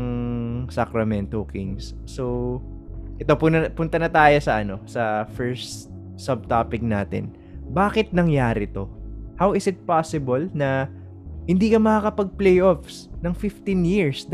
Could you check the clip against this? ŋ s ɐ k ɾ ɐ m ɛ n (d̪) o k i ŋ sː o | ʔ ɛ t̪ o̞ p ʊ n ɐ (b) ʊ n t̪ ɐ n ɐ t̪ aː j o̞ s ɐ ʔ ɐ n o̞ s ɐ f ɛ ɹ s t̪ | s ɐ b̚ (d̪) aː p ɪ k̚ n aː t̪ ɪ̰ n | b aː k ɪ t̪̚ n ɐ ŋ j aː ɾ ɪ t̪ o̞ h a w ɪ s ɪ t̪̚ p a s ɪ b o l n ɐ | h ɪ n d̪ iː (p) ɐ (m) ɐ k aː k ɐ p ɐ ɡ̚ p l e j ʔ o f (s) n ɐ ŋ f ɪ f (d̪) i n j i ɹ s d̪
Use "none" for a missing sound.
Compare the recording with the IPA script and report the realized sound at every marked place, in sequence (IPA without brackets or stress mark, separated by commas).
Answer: t̪, p, t̪, k, m, s, t̪